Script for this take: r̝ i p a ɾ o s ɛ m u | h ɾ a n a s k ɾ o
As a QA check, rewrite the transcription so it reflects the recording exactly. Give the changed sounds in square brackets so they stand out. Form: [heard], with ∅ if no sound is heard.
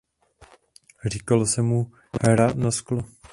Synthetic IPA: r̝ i [k] a [l] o s ɛ m u | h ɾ a n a s k [l] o